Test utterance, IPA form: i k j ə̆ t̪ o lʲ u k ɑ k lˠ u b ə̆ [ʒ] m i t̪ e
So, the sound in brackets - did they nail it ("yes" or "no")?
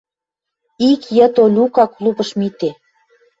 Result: no